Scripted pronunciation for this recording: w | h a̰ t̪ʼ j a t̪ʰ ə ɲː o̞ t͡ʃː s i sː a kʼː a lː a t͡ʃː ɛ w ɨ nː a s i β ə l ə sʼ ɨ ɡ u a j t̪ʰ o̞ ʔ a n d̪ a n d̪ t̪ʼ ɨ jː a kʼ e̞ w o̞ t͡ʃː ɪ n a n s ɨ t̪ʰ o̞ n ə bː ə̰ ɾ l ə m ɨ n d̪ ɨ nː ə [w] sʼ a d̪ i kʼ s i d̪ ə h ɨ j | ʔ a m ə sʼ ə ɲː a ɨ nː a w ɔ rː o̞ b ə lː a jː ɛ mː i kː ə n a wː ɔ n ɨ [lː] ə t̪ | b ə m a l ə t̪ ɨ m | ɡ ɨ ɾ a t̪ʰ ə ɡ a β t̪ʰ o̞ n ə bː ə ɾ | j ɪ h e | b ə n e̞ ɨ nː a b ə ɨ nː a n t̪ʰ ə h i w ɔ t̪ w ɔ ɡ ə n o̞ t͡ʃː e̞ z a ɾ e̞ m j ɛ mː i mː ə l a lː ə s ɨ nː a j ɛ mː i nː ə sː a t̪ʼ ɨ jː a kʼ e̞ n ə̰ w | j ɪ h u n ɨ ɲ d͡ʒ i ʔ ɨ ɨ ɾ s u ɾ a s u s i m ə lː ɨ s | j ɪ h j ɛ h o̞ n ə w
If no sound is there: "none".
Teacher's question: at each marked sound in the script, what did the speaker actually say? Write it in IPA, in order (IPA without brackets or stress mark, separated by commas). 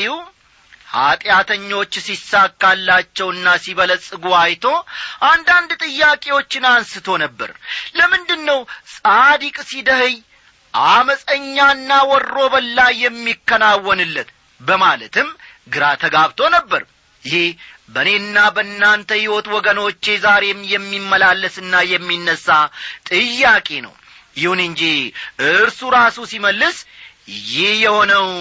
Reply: w, lː